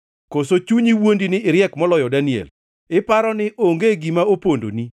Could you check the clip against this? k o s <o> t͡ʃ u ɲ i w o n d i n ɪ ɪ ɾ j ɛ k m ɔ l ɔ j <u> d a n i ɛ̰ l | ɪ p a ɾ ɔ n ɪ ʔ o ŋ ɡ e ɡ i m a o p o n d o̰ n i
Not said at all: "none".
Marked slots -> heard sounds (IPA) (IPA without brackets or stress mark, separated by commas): o, ɔ